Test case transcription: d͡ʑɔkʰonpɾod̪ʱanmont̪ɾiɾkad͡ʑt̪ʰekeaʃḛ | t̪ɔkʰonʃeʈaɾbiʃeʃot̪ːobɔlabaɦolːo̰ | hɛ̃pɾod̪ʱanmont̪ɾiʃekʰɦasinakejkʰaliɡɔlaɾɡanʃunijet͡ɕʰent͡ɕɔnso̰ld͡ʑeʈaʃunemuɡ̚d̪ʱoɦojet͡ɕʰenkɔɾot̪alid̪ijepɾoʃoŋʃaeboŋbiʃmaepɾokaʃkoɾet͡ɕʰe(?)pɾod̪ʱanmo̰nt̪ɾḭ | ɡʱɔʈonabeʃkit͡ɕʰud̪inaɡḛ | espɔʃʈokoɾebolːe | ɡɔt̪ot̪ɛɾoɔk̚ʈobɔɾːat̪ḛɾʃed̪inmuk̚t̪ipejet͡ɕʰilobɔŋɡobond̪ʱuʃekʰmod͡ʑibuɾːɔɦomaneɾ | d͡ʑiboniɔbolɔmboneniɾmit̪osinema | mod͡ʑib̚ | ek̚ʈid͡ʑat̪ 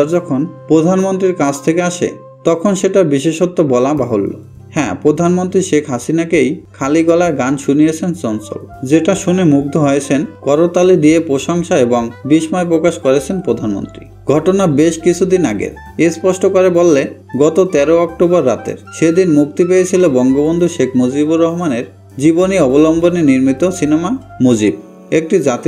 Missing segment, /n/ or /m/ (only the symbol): n